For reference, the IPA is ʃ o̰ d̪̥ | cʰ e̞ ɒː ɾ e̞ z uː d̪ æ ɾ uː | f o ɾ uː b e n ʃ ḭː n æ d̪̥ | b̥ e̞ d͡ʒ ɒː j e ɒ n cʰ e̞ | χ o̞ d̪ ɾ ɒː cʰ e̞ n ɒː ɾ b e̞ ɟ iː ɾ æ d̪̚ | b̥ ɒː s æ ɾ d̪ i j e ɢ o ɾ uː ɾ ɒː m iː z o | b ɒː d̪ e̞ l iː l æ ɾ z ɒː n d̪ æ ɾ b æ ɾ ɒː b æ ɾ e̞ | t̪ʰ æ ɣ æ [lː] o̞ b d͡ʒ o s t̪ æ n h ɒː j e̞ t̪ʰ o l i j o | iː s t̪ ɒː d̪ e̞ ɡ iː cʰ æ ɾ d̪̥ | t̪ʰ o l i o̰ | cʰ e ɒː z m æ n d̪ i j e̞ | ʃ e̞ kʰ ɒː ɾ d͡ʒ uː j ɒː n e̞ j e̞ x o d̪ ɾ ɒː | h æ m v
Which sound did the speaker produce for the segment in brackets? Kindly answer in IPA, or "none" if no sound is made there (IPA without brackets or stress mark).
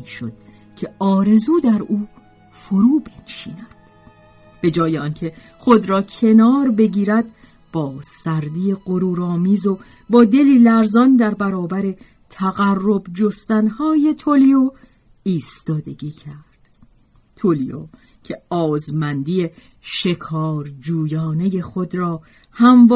rː